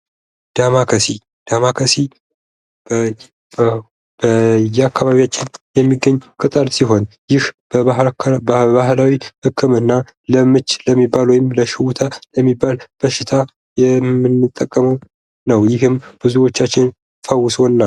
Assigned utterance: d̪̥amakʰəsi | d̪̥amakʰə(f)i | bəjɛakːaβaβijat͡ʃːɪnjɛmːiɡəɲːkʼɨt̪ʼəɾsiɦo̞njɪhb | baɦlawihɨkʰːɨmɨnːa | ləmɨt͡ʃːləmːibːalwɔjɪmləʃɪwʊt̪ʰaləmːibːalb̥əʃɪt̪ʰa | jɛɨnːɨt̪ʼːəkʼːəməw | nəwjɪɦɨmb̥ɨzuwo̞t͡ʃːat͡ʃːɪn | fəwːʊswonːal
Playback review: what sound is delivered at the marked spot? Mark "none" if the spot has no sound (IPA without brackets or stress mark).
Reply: s